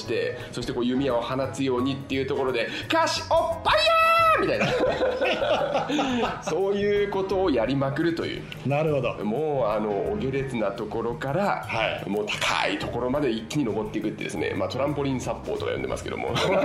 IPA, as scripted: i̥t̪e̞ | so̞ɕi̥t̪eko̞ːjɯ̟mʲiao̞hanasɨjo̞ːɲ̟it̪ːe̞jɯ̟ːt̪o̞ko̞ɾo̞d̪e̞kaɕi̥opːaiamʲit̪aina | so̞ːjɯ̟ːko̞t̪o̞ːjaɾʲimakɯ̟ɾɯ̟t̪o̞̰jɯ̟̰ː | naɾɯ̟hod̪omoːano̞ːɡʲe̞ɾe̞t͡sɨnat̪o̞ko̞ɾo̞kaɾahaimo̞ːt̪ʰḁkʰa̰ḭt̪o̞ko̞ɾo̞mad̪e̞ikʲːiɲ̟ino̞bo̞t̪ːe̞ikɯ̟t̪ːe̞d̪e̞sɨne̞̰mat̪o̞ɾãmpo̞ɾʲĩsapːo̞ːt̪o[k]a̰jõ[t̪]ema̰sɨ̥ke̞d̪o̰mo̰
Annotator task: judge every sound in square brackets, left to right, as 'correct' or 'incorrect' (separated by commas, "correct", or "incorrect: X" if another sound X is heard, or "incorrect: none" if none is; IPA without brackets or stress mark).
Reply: correct, incorrect: d̪